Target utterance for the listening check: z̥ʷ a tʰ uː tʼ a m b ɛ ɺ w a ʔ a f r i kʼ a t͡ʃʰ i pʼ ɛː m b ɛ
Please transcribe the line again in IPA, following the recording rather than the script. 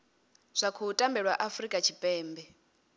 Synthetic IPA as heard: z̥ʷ a kʰ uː tʼ a m b ɛ ɺ w a ʔ a f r i kʼ a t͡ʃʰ i pʼ ɛː m b ɛ